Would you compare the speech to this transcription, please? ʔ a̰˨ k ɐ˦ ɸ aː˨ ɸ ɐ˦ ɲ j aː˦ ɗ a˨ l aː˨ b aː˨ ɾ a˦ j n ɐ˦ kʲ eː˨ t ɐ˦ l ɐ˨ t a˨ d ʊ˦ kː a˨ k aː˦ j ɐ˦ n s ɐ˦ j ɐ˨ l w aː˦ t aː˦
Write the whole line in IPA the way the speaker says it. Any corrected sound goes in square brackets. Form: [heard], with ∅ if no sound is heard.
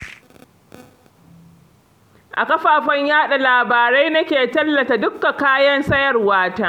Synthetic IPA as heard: ʔ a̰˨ k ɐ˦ ɸ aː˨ ɸ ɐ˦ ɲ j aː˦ ɗ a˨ l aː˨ b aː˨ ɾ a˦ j n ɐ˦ kʲ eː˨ t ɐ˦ [lː] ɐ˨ t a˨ d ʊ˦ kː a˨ k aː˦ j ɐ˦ n s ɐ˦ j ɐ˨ [r] w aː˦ t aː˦